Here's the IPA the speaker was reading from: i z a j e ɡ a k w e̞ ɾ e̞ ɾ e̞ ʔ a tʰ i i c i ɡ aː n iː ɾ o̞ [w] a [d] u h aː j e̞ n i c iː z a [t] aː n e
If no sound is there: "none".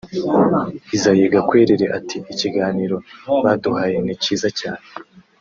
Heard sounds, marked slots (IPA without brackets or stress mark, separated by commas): β, d, c